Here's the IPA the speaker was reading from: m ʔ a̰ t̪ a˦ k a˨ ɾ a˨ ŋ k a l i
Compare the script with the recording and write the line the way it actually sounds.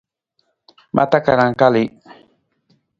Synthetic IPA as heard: m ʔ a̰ t̪ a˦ k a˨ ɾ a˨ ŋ k a l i